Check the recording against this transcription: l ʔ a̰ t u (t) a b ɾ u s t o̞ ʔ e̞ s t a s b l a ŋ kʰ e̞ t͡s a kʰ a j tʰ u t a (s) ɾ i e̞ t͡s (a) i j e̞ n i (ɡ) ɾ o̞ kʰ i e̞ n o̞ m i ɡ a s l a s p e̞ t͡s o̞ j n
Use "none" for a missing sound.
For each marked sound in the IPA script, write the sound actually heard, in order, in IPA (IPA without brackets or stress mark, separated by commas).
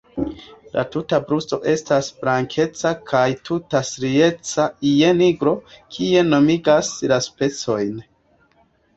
t, s, a, ɡ